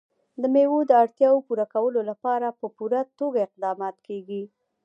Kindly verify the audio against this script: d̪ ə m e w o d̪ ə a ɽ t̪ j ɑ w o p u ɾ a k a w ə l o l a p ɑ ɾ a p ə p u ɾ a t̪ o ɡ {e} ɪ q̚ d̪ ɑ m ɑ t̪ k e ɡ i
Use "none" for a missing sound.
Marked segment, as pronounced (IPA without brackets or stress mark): a